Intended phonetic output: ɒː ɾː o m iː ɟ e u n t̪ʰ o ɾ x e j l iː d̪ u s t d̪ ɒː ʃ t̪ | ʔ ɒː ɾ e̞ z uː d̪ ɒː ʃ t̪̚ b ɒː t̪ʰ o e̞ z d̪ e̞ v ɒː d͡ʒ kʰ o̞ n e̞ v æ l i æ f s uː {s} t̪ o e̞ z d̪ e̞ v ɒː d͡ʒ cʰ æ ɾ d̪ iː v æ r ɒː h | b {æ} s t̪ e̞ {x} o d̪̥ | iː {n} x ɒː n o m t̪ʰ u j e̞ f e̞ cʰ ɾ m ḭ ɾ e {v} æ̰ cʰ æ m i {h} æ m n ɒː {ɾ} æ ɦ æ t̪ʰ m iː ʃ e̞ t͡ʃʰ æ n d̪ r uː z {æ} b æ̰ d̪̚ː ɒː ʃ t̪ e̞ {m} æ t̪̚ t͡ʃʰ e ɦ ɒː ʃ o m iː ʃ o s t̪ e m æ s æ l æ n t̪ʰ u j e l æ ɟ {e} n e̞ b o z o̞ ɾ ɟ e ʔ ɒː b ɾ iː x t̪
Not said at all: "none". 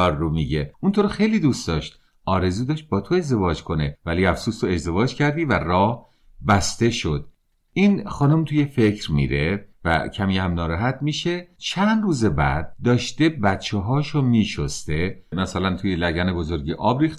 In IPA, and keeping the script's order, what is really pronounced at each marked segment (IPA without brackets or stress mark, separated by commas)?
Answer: s, æ, ʃ, n, v, h, ɾ, e, b, æ